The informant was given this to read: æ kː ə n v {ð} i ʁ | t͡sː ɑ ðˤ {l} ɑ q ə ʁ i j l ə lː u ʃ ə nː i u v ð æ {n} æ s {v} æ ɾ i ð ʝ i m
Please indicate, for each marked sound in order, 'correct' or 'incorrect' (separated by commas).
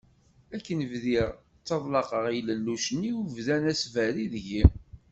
correct, correct, correct, correct